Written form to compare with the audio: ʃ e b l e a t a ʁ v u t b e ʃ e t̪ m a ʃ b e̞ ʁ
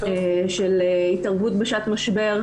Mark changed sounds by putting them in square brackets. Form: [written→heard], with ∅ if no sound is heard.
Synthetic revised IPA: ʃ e [b→∅] l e [a→i] t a ʁ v u t b e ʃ [e→a] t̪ m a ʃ b e̞ ʁ